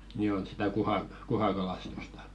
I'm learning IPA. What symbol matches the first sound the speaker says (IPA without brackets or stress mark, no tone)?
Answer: n